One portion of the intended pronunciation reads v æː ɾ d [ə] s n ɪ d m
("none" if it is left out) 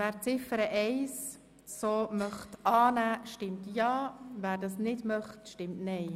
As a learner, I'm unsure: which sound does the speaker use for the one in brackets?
ɑ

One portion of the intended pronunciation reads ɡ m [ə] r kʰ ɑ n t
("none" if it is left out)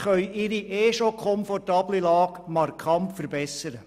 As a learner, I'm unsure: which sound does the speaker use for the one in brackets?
ɑ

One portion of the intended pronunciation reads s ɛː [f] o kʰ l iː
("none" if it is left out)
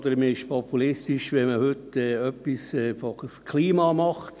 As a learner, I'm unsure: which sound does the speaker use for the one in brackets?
f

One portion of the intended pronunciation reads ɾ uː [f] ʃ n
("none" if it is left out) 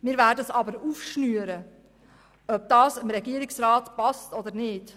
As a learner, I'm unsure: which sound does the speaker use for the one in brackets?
f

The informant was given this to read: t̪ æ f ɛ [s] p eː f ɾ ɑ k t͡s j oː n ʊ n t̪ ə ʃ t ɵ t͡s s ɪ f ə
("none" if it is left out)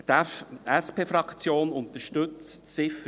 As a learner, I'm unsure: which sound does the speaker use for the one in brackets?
s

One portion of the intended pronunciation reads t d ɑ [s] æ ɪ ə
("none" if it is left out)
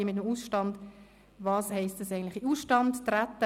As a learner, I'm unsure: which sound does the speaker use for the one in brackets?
s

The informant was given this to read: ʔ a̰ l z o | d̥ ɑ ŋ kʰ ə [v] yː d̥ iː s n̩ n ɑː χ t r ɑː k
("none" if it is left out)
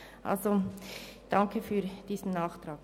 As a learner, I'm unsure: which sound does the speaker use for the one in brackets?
f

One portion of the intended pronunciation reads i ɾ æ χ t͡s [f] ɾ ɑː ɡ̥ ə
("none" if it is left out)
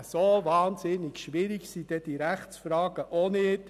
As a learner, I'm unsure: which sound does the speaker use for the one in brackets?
f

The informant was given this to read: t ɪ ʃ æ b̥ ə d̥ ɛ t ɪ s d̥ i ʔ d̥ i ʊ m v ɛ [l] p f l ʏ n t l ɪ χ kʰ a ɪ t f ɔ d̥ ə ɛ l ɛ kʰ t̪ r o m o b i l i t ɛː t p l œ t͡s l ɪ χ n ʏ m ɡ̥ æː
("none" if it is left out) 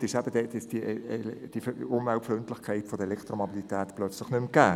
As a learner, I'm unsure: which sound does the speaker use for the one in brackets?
l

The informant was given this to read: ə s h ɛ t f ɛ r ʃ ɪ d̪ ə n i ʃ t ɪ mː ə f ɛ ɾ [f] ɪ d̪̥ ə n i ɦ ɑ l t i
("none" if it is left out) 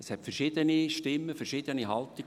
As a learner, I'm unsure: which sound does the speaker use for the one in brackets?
ʃ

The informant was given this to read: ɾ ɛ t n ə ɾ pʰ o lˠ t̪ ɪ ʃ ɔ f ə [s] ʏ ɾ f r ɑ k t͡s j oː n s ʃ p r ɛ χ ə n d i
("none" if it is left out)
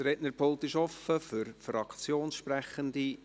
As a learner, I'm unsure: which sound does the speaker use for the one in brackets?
f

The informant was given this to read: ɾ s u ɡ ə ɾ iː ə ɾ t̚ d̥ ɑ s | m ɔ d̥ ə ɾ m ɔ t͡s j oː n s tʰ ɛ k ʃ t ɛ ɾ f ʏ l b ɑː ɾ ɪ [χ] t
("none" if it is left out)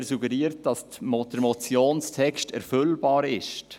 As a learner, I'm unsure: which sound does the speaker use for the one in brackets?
ʃ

